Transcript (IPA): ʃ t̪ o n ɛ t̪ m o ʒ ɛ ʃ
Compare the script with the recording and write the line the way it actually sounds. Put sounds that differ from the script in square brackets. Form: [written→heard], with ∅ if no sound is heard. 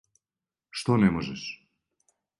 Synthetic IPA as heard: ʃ t̪ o n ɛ [t̪→∅] m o ʒ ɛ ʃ